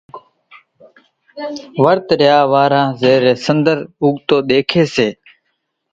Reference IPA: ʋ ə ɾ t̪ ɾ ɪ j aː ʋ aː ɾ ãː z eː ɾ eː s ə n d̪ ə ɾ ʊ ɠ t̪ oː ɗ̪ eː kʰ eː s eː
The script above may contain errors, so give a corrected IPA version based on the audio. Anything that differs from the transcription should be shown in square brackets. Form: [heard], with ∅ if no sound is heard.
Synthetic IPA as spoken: ʋ ə ɾ t̪ ɾ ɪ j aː ʋ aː ɾ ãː z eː ɾ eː s ə n d̪ ə ɾ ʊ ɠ t̪ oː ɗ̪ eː kʰ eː s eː